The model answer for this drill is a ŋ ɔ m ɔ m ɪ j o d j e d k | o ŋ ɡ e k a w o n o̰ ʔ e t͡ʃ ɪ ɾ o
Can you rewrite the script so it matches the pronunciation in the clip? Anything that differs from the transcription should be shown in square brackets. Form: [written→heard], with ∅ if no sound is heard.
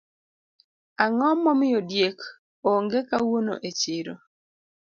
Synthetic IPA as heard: a ŋ ɔ m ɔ m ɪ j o d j e [d→∅] k | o ŋ ɡ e k a w o n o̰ ʔ e t͡ʃ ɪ ɾ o